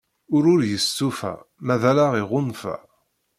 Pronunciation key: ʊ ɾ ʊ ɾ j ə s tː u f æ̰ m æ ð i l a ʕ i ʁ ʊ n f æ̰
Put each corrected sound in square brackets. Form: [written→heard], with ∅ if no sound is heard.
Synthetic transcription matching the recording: ʊ ɾ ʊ ɾ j ə s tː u f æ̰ m æ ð [i→æ] l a [ʕ→ʁ] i ʁ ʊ n f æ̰